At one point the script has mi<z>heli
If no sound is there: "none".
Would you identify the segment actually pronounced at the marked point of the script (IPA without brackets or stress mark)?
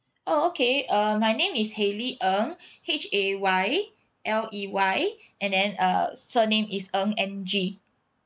s